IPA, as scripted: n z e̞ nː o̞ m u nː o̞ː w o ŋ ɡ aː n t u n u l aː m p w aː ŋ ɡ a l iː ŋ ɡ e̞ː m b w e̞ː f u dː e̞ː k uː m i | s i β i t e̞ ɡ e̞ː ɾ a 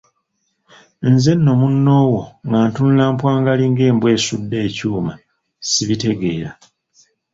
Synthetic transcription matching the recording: n z e̞ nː o̞ m u nː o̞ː w o ŋ ɡ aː n t u n u l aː m p w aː ŋ ɡ a l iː ŋ ɡ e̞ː m b w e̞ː s u dː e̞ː c uː m a | s i β i t e̞ ɡ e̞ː ɾ a